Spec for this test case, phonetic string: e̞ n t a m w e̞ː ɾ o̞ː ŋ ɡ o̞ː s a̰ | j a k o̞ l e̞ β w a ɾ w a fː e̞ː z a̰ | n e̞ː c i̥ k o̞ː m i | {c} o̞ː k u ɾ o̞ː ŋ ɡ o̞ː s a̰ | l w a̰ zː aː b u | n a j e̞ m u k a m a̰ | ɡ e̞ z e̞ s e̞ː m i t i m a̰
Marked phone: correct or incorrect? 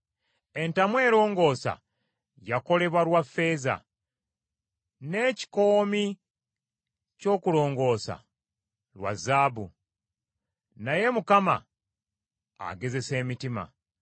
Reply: correct